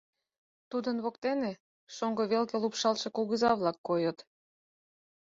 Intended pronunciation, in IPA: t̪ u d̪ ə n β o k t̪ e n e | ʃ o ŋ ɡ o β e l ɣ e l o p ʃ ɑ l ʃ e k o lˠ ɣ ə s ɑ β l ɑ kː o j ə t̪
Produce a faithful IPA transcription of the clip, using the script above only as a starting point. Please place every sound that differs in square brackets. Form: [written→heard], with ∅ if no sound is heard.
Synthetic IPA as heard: t̪ u d̪ ə n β o k t̪ e n e | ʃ o ŋ ɡ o β e l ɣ e l [o→u] p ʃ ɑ l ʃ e k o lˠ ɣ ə [s→z] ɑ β l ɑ kː o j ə t̪